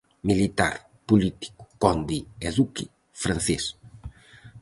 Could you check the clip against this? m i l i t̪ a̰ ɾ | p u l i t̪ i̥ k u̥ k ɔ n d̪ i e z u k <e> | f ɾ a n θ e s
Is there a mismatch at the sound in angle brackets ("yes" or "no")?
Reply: yes